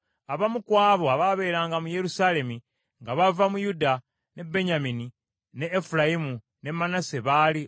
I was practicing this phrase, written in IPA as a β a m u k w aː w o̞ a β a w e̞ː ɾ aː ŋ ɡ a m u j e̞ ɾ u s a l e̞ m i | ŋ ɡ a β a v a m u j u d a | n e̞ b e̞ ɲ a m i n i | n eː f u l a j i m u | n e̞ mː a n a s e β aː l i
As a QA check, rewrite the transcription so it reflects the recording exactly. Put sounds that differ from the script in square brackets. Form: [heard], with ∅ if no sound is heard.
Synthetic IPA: a β a m u k w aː [β] o̞ a β a [β] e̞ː ɾ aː ŋ ɡ a m u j e̞ ɾ u s a l e̞ m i | ŋ ɡ a β a v a m u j u d a | n e̞ b e̞ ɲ a m i n i | n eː f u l a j i m u | n e̞ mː a n a s e β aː l i